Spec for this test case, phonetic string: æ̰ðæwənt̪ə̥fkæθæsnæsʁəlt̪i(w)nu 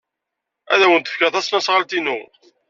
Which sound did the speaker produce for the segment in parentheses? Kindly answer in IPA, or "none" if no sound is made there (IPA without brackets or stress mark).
none